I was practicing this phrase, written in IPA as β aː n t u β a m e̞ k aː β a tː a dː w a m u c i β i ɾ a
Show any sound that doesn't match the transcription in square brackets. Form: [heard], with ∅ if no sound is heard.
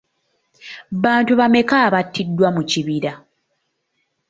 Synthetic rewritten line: β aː n t u β a m e̞ k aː β a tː [i] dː w a m u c i β i ɾ a